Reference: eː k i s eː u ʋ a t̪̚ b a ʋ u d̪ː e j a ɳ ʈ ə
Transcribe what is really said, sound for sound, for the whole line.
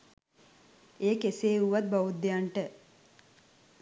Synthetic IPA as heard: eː k e s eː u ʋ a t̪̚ b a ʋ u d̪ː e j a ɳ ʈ ə